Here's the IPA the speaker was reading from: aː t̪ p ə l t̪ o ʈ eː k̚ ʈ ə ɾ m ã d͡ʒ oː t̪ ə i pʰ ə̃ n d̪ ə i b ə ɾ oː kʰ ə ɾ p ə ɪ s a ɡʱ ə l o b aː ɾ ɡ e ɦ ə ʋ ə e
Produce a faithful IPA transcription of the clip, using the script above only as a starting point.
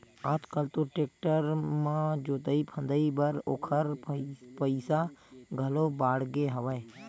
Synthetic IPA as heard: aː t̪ k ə l t̪ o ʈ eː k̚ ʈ ə ɾ m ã d͡ʒ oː t̪ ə i pʰ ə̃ n d̪ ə i b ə ɾ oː kʰ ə ɾ p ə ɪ s a ɡʱ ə l o b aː ɽ ɡ e ɦ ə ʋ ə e